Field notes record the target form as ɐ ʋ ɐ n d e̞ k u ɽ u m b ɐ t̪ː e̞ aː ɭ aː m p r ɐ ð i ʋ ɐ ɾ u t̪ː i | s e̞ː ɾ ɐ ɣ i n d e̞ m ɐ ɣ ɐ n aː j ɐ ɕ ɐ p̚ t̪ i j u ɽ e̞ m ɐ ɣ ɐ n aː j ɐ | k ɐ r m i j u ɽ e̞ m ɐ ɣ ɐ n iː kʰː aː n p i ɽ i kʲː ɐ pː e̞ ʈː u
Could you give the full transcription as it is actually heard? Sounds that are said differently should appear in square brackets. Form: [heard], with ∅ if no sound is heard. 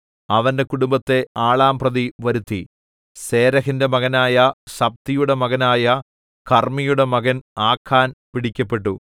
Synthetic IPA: ɐ ʋ ɐ n d e̞ k u ɽ u m b ɐ t̪ː e̞ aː ɭ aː m p r ɐ ð i ʋ ɐ ɾ u t̪ː i | s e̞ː ɾ ɐ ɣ i n d e̞ m ɐ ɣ ɐ n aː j ɐ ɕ ɐ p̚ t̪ i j u ɽ e̞ m ɐ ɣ ɐ n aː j ɐ | k ɐ r m i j u ɽ e̞ m ɐ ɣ ɐ n [aː] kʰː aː n p i ɽ i kʲː ɐ pː e̞ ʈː u